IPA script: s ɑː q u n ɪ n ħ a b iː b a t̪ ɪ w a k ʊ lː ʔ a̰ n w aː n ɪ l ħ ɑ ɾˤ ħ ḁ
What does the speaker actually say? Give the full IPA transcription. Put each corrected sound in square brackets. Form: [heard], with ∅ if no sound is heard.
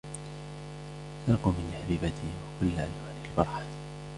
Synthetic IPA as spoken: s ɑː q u [m] ɪ n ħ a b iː b a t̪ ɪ w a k ʊ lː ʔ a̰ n w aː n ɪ l [f] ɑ ɾˤ ħ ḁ